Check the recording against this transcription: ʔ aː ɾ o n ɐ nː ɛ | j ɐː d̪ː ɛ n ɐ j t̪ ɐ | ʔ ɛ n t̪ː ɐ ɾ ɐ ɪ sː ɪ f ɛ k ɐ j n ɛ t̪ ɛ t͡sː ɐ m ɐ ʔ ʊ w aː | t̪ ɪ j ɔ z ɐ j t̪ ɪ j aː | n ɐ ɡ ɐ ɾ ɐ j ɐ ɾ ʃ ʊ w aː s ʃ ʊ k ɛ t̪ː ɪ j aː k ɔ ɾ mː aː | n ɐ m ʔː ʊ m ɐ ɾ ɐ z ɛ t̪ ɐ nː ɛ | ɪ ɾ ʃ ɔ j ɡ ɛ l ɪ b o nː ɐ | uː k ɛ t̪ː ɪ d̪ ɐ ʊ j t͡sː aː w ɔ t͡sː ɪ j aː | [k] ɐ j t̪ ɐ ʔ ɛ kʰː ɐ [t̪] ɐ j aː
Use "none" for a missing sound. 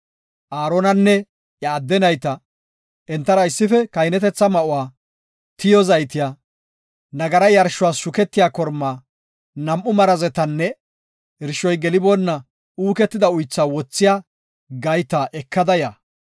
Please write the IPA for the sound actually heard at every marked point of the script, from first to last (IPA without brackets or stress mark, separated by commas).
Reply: ɡ, d̪